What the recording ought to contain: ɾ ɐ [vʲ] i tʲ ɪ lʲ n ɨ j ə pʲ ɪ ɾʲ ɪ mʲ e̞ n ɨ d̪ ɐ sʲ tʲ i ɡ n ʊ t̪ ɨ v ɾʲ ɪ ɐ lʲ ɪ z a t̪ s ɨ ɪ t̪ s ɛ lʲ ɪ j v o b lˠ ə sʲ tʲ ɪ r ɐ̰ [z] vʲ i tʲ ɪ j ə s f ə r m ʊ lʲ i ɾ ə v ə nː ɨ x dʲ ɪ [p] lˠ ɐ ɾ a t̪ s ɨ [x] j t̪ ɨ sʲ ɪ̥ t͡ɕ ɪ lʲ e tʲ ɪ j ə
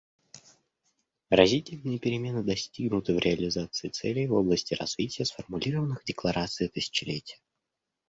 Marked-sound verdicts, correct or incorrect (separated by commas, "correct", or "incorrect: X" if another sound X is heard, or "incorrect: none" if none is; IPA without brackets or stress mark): incorrect: zʲ, correct, incorrect: k, incorrect: none